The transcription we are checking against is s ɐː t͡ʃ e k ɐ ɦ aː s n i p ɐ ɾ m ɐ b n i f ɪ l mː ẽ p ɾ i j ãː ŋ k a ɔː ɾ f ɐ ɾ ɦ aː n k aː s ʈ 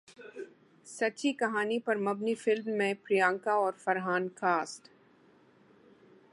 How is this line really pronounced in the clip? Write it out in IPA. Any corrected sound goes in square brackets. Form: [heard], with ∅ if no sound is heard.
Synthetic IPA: s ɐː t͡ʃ [i] k ɐ ɦ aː [∅] n i p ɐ ɾ m ɐ b n i f ɪ l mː ẽ p ɾ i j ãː ŋ k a ɔː ɾ f ɐ ɾ ɦ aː n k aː s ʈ